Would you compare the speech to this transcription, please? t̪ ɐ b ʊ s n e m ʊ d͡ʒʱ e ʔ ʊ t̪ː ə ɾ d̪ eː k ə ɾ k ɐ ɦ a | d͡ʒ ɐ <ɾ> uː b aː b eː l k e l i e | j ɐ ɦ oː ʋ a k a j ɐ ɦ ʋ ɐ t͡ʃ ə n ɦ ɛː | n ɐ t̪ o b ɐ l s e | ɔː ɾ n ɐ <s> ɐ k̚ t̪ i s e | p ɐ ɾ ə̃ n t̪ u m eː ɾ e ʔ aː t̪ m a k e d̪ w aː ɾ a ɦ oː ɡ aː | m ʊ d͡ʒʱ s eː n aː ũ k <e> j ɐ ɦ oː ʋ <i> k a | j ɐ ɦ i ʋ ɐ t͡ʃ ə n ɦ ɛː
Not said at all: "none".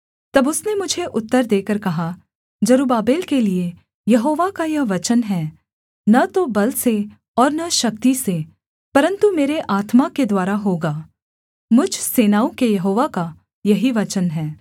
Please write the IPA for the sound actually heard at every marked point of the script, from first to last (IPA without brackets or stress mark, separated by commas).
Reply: ɾ, ʃ, e, a